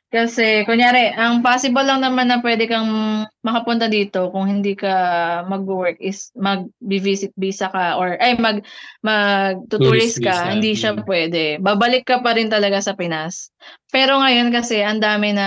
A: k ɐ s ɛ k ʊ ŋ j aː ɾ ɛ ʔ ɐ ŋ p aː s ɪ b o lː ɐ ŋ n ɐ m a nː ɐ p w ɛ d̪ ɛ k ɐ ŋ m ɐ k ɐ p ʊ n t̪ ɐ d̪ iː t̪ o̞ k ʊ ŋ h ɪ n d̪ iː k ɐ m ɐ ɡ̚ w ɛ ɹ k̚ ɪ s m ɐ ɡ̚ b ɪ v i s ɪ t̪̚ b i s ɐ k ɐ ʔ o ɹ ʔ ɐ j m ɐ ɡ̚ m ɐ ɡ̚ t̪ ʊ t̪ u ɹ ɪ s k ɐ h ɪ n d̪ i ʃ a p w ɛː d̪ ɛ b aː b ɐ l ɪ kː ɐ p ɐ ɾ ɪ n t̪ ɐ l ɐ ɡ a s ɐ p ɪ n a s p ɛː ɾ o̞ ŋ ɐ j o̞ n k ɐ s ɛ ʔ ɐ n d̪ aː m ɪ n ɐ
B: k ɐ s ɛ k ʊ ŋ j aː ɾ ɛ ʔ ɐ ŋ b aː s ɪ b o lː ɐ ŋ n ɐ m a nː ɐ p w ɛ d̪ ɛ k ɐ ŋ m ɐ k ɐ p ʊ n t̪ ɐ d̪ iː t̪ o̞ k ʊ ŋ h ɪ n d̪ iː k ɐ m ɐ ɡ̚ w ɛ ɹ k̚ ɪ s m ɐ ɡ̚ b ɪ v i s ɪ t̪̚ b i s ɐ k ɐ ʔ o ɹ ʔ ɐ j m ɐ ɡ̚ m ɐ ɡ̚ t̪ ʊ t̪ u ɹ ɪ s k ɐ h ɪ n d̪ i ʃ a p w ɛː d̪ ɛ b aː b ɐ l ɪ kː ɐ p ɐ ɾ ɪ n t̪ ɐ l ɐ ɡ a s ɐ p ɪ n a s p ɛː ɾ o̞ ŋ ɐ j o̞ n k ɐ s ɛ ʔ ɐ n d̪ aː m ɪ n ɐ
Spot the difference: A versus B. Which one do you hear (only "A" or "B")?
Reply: A